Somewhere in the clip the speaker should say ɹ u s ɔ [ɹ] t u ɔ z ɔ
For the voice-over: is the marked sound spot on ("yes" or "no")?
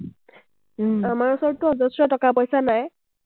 yes